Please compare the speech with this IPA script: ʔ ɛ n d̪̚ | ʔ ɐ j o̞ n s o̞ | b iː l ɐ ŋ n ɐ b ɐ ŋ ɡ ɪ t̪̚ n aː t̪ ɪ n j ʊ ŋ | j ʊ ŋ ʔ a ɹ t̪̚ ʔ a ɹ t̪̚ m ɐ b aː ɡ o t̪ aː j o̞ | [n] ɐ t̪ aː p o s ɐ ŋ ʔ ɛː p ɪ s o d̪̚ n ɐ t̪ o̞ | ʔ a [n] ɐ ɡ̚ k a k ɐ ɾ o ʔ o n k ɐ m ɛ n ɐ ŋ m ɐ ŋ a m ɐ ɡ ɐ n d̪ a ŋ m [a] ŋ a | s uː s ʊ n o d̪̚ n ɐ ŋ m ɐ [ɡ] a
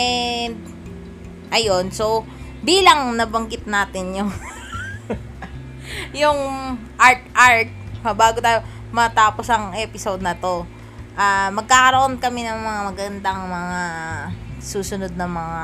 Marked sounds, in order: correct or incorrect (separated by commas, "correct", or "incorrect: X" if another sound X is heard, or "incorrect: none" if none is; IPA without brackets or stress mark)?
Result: incorrect: m, incorrect: m, incorrect: ɐ, incorrect: ŋ